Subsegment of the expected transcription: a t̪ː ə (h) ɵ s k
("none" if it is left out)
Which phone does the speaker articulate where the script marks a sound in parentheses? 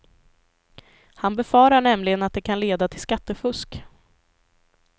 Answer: f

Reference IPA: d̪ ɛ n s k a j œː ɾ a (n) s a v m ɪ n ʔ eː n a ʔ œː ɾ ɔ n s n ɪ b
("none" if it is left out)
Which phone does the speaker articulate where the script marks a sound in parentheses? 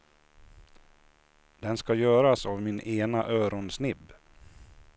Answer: none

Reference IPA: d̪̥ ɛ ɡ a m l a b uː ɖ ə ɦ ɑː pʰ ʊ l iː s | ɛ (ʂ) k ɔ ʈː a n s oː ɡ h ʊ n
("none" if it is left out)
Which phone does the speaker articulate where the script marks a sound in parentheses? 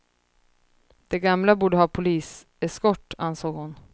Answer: s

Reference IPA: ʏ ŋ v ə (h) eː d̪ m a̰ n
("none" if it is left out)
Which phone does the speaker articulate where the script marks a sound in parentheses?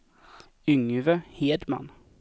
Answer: h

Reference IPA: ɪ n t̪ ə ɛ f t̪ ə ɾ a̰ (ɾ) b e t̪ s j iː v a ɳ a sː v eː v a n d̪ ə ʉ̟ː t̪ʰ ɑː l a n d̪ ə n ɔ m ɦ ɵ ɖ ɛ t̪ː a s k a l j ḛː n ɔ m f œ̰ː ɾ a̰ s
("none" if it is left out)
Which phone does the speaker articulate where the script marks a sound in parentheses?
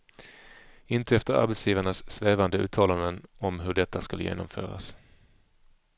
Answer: ɾ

